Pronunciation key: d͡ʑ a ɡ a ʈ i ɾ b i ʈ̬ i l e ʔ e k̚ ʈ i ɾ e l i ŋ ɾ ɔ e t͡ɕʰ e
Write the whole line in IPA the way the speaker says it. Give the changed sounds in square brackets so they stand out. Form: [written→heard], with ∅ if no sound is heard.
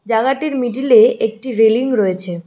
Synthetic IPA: d͡ʑ a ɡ a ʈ i ɾ [b→m] i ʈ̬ i l e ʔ e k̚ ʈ i ɾ e l i ŋ ɾ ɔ e t͡ɕʰ e